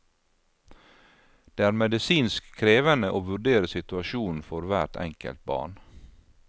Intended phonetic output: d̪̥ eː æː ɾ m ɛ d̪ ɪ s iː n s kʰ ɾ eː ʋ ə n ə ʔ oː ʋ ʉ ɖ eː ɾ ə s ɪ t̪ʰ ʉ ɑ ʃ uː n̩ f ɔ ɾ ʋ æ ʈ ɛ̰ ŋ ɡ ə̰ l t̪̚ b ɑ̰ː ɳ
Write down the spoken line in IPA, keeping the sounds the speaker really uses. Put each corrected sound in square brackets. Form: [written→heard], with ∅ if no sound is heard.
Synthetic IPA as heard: d̪̥ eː æː ɾ m ɛ d̪ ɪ s iː n s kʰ ɾ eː ʋ ə n ə ʔ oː ʋ ʉ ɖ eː ɾ ə s ɪ [t̪ʰ→t̪] ʉ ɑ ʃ uː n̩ f ɔ ɾ ʋ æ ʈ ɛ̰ ŋ [ɡ→k] ə̰ l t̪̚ b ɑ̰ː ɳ